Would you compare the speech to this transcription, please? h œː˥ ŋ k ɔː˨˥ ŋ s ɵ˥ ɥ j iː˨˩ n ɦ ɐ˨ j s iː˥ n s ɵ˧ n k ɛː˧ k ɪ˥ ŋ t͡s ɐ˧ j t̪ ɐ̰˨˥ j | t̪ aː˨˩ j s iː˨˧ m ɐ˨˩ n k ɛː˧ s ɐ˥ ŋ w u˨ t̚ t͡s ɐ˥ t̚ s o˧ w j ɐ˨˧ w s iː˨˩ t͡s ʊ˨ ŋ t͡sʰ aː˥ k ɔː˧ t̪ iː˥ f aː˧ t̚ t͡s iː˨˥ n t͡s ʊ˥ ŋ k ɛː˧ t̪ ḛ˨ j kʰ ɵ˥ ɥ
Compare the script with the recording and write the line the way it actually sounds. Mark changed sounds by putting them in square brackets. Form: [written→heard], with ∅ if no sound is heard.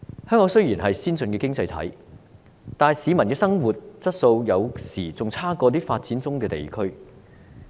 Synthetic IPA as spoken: h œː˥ ŋ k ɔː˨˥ ŋ s ɵ˥ ɥ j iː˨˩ n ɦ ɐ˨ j s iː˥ n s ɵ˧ n k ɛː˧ k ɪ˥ ŋ t͡s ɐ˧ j [t̪→t̪ʰ] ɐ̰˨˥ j | t̪ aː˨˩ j s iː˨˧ m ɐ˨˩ n k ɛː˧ s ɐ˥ ŋ w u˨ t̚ t͡s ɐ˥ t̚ s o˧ w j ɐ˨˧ w s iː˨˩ t͡s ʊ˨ ŋ t͡sʰ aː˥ k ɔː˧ t̪ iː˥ f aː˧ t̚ t͡s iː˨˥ n t͡s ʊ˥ ŋ k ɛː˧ t̪ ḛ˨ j kʰ ɵ˥ ɥ